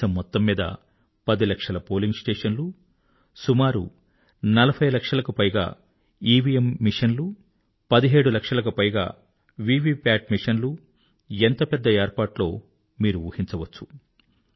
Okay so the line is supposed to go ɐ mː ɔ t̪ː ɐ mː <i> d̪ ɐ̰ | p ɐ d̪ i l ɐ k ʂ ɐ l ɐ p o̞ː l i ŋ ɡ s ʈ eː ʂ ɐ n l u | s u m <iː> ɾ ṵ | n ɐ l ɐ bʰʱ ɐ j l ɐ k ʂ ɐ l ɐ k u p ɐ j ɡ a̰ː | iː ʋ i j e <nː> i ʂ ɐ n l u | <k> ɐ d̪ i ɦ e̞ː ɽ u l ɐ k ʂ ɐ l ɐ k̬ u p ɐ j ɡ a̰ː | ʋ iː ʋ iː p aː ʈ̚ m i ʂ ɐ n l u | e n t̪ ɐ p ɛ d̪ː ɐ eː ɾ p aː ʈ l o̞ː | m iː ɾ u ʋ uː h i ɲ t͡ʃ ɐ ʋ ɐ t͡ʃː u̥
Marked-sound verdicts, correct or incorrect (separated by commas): incorrect, incorrect, incorrect, incorrect